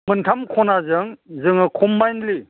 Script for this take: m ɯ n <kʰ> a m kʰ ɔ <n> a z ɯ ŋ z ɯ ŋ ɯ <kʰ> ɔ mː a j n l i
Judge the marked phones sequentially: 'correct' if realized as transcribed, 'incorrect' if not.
incorrect: tʰ, correct, correct

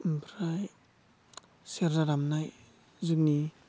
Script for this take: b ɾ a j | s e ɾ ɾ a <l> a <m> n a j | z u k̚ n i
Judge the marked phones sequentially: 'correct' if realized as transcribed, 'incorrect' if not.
incorrect: ɾ, correct

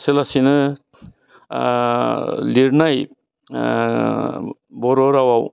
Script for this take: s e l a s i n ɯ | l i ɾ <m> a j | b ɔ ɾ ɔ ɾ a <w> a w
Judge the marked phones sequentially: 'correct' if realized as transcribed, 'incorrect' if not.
incorrect: n, correct

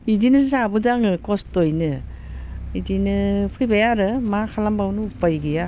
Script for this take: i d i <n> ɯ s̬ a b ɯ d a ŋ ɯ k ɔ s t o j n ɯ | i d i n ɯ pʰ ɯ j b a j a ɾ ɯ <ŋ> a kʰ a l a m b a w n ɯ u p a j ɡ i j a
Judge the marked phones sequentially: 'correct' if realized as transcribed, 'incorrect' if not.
correct, incorrect: m

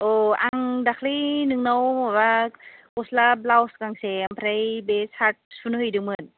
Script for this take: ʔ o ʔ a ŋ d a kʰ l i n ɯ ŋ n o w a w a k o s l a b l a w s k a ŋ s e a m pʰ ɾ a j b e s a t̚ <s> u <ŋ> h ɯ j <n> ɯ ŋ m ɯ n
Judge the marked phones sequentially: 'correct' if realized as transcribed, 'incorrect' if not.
correct, incorrect: n, incorrect: d

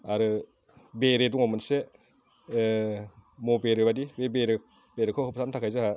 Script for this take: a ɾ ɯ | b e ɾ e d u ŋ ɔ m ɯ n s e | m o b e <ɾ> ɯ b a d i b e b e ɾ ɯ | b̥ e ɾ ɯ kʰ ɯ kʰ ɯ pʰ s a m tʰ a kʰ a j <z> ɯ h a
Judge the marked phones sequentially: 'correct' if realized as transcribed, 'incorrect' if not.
correct, correct

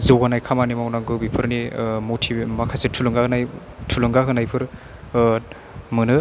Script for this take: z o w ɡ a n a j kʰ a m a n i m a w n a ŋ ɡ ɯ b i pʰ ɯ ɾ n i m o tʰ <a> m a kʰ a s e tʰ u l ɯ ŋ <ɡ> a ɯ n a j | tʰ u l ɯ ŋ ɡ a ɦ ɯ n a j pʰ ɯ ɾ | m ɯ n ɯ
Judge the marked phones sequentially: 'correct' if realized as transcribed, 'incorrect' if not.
incorrect: i, correct

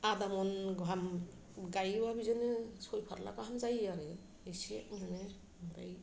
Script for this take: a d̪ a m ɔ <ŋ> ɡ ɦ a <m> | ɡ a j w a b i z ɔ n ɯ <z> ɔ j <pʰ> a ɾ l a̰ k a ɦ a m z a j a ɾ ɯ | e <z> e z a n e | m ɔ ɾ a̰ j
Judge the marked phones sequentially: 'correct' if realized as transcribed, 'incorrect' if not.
incorrect: n, correct, incorrect: s, correct, incorrect: s

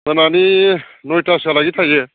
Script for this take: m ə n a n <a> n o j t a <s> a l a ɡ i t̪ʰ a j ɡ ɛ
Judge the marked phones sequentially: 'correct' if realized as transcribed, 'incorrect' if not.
incorrect: i, correct

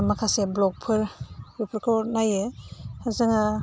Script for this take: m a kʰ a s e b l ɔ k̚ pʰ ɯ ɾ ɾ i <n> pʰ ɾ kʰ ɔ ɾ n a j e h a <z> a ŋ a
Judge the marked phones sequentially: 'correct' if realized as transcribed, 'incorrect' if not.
incorrect: none, correct

